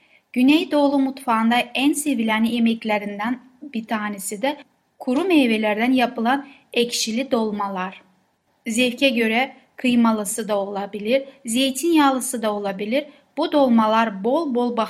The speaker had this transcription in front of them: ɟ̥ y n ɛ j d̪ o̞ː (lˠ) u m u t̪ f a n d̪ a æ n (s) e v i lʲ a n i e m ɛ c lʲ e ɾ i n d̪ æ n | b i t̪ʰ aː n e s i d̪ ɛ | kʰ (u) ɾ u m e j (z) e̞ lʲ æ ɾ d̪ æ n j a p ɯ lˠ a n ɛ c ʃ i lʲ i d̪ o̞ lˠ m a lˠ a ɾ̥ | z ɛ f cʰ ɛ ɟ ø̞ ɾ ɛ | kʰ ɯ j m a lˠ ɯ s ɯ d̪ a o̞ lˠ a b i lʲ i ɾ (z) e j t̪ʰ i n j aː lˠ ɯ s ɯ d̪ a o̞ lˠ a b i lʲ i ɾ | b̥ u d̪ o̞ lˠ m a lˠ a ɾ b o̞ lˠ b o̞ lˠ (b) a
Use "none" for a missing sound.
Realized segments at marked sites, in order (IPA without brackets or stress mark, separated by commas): lˠ, s, u, v, z, b